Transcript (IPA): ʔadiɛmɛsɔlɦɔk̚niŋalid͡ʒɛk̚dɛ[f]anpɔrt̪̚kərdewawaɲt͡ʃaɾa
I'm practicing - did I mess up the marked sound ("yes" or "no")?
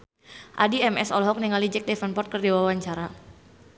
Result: no